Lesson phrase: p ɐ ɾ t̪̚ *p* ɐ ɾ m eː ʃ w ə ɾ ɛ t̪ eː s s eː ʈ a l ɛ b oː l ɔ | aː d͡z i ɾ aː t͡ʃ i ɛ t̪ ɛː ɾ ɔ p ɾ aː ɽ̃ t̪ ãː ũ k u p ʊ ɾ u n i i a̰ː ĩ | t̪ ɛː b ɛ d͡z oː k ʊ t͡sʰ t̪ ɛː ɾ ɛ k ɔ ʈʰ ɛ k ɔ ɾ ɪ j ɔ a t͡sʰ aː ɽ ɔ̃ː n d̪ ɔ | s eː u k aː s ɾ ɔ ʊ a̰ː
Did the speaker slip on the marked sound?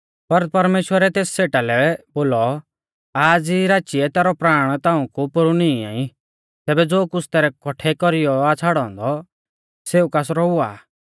no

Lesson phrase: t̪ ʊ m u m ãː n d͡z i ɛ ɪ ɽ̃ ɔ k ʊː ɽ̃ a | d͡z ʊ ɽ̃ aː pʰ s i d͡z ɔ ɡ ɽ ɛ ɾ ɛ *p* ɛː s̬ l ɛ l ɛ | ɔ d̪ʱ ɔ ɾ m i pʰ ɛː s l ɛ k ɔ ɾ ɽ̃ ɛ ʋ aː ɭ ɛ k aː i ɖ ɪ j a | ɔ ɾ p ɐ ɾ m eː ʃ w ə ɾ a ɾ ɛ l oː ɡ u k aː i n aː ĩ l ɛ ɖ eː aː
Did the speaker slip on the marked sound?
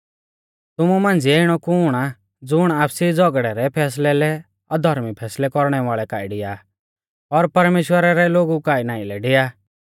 yes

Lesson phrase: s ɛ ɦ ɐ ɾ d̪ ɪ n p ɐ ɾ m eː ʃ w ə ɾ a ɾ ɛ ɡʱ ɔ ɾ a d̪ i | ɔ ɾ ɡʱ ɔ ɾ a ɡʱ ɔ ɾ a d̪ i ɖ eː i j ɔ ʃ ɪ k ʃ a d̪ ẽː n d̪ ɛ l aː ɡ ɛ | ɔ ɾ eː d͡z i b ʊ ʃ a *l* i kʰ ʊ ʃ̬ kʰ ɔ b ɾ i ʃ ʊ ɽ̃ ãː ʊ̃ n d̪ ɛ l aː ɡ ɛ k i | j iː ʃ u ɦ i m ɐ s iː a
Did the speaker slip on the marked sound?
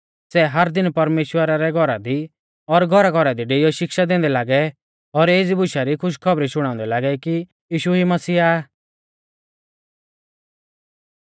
yes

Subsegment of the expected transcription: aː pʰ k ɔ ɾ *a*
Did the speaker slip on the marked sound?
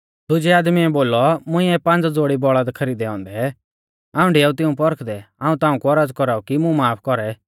yes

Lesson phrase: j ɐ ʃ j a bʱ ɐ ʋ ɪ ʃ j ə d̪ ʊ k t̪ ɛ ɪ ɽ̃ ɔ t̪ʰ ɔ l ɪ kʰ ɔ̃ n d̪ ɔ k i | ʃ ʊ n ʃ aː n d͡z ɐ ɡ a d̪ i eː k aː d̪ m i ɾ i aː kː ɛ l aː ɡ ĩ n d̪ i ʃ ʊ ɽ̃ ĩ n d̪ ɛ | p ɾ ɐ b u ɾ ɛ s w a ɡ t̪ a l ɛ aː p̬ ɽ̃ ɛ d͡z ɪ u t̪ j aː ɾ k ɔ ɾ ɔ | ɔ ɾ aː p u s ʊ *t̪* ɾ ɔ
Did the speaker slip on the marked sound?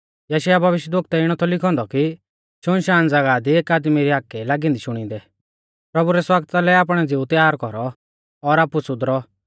yes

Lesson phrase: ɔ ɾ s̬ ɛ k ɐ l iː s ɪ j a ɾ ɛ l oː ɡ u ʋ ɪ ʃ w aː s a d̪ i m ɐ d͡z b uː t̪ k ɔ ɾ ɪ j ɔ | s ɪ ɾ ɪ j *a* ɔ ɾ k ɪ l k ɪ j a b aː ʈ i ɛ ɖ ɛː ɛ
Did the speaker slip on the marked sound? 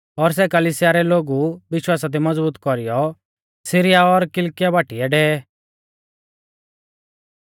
no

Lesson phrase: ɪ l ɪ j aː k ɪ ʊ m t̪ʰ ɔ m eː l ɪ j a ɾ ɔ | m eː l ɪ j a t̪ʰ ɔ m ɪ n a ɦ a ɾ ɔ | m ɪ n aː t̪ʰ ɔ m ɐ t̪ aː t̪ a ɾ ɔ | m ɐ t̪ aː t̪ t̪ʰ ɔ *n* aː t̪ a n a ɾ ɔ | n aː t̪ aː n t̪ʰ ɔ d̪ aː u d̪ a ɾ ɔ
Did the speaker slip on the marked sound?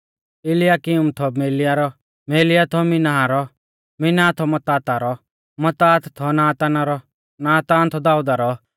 no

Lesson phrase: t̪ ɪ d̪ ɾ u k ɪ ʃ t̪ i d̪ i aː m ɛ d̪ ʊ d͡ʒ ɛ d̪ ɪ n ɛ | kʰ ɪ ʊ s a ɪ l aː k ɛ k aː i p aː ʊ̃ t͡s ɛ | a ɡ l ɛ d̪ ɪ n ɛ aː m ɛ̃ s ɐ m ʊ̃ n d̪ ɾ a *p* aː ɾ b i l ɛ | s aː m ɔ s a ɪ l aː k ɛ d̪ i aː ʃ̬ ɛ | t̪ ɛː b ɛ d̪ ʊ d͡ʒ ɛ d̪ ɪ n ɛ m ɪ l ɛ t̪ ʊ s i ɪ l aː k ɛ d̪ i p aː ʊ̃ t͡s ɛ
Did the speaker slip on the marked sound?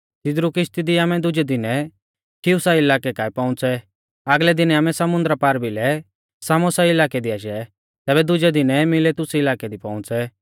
no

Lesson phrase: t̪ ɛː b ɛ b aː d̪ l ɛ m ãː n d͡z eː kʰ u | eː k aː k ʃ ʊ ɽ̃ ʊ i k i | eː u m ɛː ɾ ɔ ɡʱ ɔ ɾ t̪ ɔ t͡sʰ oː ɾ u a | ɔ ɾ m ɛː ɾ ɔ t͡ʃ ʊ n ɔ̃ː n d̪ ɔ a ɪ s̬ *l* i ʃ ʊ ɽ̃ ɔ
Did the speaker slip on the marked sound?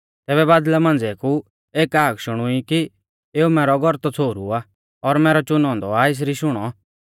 yes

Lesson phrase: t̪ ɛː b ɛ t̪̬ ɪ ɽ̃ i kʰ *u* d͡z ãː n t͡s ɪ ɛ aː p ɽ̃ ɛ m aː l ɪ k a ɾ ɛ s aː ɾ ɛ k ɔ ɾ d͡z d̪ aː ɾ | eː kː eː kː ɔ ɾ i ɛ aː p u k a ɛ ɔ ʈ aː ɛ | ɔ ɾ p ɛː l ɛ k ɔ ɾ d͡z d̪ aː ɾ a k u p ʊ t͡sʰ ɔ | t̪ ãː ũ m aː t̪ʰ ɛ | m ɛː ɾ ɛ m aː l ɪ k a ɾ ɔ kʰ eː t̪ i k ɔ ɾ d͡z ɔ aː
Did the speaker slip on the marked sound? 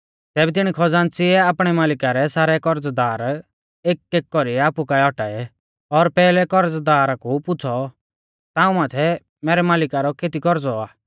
yes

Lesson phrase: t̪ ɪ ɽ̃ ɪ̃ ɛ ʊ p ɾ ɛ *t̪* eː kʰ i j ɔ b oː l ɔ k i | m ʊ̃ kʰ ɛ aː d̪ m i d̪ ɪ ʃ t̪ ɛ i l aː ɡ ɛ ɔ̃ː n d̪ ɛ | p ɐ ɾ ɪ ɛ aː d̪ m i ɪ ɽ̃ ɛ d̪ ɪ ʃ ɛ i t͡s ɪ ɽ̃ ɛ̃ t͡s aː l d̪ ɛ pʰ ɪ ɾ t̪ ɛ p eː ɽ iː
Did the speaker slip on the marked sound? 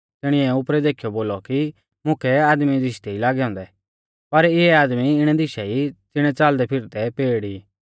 yes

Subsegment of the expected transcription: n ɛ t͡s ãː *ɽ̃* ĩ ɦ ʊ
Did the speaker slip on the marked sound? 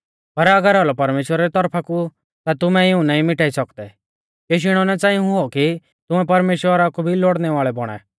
yes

